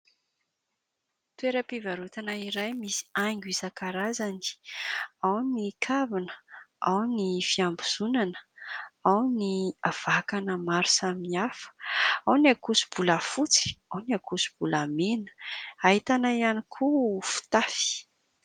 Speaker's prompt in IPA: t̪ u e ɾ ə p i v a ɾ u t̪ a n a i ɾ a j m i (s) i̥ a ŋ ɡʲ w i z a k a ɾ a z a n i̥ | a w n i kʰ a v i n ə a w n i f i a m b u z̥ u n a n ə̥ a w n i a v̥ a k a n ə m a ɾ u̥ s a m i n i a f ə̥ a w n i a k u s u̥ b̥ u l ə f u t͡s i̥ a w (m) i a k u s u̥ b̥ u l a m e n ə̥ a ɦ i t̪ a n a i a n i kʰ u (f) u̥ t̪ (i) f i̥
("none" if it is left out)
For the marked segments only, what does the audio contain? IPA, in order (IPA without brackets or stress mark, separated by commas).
s, n, f, a